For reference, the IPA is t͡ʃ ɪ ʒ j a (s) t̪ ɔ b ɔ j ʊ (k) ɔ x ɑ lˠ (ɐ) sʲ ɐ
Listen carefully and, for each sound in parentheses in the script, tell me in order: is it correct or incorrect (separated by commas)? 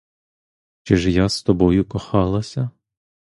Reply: correct, correct, correct